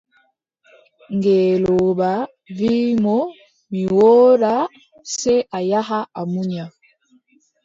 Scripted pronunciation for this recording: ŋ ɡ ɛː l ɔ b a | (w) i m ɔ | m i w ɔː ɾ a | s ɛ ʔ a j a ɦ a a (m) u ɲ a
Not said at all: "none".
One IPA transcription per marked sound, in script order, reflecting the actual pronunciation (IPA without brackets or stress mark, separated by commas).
v, m